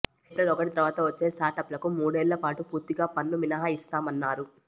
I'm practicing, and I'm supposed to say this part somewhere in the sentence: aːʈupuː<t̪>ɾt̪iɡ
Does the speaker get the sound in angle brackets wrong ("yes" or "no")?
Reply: yes